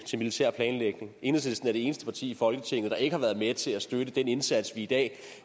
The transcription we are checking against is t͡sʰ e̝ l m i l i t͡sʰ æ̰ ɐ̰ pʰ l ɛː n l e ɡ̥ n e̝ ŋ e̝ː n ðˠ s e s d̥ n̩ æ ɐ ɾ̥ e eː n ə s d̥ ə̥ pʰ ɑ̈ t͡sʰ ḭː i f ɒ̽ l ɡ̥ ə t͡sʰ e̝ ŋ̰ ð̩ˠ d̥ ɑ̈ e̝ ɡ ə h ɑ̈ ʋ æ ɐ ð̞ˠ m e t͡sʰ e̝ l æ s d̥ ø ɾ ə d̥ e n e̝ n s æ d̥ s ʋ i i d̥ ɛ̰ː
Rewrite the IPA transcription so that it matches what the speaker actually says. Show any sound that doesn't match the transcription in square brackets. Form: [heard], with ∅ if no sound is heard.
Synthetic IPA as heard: t͡sʰ e̝ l m i l i t͡sʰ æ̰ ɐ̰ pʰ l ɛː n l e ɡ̥ n e̝ ŋ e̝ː n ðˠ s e s d̥ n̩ æ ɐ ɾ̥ e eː n ə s d̥ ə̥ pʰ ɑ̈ t͡sʰ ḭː i f ɒ̽ l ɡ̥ ə t͡sʰ e̝ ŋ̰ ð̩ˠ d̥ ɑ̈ e̝ ɡ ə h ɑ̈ ʋ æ ɐ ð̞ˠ m e t͡sʰ e̝ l æ s d̥ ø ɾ ə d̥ e n e̝ n s æ d̥ s ʋ i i d̥ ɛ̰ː